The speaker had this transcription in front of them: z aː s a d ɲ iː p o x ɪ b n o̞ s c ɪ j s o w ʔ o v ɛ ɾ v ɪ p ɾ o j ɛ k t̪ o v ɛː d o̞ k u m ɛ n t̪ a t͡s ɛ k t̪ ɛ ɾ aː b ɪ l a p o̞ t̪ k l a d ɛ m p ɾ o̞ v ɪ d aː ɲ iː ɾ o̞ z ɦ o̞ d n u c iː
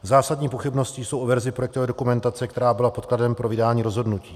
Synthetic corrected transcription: z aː s a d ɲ iː p o x ɪ b n o̞ s c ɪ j s o w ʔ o v ɛ ɾ z ɪ p ɾ o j ɛ k t̪ o v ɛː d o̞ k u m ɛ n t̪ a t͡s ɛ k t̪ ɛ ɾ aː b ɪ l a p o̞ t̪ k l a d ɛ m p ɾ o̞ v ɪ d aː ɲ iː ɾ o̞ z ɦ o̞ d n u c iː